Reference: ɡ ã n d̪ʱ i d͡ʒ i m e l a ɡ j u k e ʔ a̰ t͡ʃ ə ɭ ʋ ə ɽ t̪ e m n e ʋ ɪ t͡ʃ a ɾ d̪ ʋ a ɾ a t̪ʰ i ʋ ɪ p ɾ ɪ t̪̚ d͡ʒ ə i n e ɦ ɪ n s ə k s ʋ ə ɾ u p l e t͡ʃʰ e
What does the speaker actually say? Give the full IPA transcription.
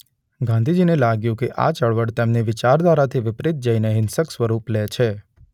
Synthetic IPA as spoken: ɡ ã n d̪ʱ i d͡ʒ i n e l a ɡ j ũ k e ʔ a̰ t͡ʃ ə ɭ ʋ ə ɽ t̪ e m n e ʋ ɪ t͡ʃ a ɾ d̪ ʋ a ɾ a t̪ʰ i ʋ ɪ p ɾ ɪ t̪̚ d͡ʒ ə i n e ɦ ɪ n s ə k s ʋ ə ɾ u p l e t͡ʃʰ e